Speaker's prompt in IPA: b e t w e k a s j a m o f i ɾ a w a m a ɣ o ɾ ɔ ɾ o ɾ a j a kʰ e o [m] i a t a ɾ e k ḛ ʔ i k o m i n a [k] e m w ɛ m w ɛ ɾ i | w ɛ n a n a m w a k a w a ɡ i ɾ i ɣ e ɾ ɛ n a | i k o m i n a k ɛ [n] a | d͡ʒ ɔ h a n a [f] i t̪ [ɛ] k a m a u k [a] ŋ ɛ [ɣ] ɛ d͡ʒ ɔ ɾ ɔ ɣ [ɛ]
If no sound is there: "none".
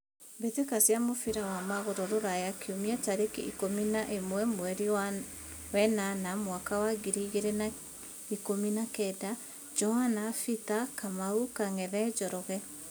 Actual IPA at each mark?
m, ʔ, d, f, a, a, ð, ɛ

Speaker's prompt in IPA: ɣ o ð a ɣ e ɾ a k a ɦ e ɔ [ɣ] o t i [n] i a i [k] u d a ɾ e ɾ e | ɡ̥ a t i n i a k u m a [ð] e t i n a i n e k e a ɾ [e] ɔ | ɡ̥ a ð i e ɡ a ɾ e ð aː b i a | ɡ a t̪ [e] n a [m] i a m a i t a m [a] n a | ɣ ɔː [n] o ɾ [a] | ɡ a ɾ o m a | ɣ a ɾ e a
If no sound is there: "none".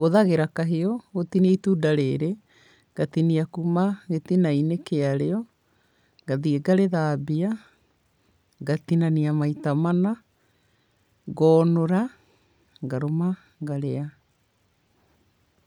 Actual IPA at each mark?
ɣ, n, t, ɣ, e, i, n, a, n, a

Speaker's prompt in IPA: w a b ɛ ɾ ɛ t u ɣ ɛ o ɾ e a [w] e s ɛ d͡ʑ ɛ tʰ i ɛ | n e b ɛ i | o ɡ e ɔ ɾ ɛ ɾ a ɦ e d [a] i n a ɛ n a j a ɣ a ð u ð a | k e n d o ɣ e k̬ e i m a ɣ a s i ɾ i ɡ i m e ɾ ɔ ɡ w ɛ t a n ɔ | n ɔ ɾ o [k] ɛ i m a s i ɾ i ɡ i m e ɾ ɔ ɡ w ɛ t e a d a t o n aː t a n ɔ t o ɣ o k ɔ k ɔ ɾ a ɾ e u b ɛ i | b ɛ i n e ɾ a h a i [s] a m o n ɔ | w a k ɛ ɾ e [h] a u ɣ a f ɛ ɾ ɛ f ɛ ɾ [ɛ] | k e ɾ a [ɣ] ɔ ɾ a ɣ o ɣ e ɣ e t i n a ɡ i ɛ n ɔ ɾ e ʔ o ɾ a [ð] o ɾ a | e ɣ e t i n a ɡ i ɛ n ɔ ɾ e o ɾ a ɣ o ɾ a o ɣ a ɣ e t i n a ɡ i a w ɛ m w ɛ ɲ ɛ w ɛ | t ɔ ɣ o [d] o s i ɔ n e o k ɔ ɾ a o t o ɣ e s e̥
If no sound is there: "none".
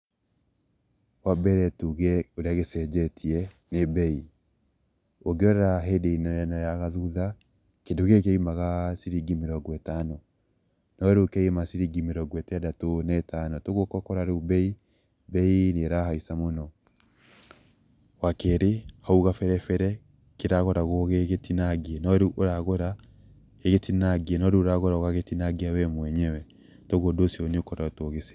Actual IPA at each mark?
ɣ, e, k, s, h, ɛ, ɣ, ɣ, d

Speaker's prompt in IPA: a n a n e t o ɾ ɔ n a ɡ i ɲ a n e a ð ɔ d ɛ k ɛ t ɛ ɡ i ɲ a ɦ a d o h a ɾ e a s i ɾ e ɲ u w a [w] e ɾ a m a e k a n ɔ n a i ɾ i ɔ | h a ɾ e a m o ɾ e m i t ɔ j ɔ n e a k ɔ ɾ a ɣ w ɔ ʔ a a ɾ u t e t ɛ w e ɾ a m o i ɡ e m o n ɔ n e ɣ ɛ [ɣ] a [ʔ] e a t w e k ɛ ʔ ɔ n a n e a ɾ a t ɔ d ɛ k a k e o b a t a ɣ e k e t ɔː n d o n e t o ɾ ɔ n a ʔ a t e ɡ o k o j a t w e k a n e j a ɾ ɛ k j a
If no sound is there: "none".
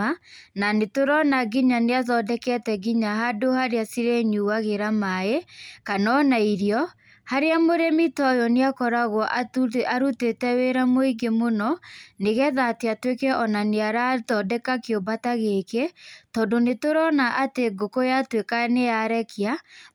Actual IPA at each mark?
ɣ, ð, t

